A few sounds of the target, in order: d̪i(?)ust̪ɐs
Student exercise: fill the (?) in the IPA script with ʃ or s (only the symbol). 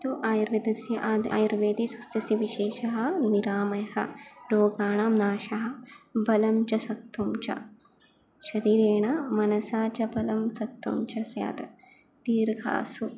s